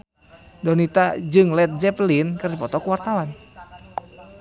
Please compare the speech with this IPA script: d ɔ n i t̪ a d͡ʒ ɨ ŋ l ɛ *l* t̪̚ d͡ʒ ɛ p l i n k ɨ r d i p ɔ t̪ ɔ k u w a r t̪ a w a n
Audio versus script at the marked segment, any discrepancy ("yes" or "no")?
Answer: yes